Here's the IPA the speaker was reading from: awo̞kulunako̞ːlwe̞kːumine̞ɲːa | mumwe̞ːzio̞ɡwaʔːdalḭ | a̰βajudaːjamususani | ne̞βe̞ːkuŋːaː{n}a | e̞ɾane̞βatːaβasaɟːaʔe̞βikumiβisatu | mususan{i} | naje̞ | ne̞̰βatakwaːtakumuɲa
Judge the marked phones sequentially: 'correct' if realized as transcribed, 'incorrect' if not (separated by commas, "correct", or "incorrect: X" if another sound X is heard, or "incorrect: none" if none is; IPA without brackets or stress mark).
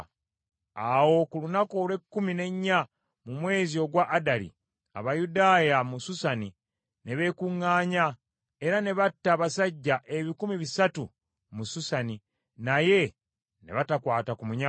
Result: incorrect: ɲ, correct